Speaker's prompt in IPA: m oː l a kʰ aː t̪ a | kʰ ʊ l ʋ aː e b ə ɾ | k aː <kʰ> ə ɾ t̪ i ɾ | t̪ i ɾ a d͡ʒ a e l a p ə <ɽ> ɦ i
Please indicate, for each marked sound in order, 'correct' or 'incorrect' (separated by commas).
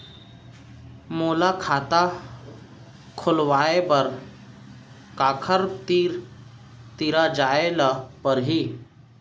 correct, incorrect